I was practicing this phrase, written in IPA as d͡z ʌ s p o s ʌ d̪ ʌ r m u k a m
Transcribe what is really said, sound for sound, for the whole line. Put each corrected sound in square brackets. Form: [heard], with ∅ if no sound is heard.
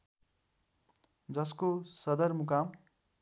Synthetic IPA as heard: d͡z ʌ s [k] o s ʌ d̪ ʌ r m u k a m